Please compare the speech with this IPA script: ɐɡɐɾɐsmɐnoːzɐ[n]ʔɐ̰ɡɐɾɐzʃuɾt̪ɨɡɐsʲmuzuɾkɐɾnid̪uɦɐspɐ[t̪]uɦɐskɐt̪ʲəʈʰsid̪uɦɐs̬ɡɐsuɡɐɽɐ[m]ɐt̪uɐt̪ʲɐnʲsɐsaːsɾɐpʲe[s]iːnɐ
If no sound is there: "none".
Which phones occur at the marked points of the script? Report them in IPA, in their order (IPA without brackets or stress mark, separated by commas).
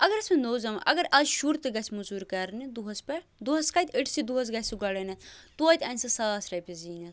m, d̪, n, z